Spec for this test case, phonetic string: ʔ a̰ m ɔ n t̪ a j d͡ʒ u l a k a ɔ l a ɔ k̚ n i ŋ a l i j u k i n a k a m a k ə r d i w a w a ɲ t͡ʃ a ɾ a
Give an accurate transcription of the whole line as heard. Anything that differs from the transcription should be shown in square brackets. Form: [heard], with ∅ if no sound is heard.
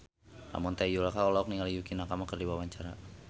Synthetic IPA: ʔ a̰ m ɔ n t̪ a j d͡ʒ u l a k a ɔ l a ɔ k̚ n i ŋ a l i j u k i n a k a m a k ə r d i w a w a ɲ t͡ʃ a ɾ a